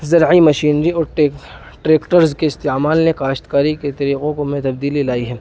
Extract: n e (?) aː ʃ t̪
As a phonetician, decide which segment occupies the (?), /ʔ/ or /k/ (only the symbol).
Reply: k